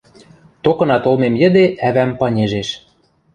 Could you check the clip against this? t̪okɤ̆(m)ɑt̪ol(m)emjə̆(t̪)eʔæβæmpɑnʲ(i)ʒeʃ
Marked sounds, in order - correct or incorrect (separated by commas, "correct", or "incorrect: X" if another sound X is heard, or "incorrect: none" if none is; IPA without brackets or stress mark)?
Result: incorrect: n, correct, incorrect: d̪, incorrect: e